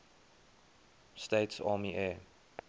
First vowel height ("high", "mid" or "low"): mid